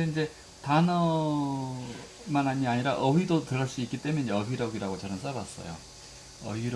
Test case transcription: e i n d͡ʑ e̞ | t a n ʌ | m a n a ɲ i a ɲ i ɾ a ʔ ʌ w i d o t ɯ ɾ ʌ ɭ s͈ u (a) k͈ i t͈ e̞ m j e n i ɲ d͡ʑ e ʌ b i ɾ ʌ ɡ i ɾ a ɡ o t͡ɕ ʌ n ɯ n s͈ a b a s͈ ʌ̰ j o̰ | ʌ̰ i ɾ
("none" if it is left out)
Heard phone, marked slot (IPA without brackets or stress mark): i